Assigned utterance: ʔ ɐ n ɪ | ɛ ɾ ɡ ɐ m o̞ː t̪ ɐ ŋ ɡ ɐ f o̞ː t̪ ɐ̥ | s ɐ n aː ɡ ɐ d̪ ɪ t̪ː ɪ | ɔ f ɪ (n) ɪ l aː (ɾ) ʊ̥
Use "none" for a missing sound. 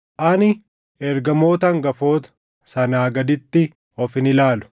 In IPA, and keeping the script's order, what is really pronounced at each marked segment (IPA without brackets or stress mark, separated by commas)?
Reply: n, l